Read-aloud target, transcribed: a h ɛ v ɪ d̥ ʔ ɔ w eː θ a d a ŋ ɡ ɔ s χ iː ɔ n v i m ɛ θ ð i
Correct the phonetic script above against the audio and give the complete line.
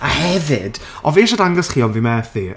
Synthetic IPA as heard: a h ɛ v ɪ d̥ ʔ ɔ v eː ʃ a d a ŋ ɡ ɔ s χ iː ɔ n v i m ɛ θ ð i